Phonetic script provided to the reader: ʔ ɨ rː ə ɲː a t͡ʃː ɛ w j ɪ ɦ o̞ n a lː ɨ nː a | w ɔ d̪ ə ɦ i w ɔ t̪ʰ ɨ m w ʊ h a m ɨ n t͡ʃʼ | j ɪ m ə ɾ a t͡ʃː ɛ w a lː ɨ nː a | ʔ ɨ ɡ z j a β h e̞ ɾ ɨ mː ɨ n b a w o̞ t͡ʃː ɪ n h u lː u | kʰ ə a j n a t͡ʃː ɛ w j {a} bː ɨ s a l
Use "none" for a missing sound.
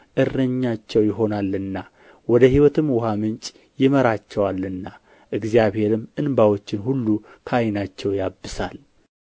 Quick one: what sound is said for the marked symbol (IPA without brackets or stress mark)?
a